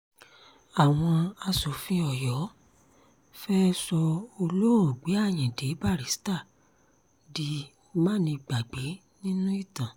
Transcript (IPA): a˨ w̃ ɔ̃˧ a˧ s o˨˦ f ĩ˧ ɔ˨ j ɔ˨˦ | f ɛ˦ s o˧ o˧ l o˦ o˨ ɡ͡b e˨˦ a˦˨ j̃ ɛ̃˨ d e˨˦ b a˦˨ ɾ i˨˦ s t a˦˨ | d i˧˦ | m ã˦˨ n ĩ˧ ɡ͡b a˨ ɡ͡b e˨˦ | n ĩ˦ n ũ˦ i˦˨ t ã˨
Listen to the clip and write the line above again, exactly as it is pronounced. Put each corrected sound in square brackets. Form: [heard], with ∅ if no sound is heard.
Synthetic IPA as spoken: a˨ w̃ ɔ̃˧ a˧ s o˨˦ f ĩ˧ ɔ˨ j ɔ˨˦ | f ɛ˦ s [ɔ˧] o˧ l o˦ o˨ ɡ͡b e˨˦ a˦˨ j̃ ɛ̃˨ d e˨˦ b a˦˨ ɾ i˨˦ s t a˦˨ | d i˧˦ | m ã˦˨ n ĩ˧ ɡ͡b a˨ ɡ͡b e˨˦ | n ĩ˦ n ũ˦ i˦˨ t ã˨

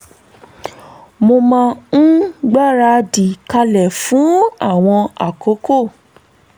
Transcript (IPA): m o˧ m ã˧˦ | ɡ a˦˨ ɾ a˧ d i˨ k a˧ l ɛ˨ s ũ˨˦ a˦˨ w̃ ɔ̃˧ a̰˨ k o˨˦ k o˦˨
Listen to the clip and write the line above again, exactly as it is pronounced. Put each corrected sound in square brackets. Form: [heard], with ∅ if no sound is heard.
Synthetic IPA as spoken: m o˧ m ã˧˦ | [ɡ͡b] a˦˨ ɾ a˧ d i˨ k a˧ l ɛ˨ [f] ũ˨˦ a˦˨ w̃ ɔ̃˧ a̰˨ k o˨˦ k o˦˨

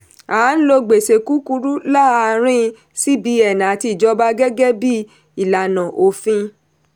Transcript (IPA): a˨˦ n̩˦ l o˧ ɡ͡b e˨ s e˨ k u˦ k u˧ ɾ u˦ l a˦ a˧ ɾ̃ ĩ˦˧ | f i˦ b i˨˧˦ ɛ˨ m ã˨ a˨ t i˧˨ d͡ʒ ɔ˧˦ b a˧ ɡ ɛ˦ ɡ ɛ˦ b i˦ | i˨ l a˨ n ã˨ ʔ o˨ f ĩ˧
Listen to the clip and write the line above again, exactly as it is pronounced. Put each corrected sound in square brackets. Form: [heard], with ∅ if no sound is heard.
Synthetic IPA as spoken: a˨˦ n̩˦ l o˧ ɡ͡b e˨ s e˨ k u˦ k u˧ ɾ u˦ l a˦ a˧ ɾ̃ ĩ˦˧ | [s] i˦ b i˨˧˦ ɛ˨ [n] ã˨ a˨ t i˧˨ d͡ʒ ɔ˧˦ b a˧ ɡ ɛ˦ ɡ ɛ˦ b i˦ | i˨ l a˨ n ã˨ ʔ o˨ f ĩ˧

